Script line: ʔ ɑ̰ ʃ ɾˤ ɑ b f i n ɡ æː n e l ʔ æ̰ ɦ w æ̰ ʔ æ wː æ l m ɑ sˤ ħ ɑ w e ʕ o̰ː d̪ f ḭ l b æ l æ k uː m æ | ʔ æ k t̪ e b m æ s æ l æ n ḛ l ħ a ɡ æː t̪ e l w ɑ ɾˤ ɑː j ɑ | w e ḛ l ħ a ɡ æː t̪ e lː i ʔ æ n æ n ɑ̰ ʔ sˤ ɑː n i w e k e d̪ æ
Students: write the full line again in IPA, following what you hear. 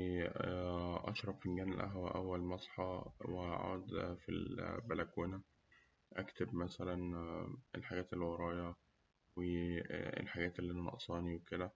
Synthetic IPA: ʔ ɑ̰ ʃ ɾˤ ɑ b f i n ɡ æː n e l ʔ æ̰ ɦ w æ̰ ʔ æ wː æ l m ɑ sˤ ħ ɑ w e ʕ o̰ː d̪ f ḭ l b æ l æ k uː n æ | ʔ æ k t̪ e b m æ s æ l æ n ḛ l ħ a ɡ æː t̪ e l w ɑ ɾˤ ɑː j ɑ | w e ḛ l ħ a ɡ æː t̪ e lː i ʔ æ n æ n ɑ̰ ʔ sˤ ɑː n i w e k e d̪ æ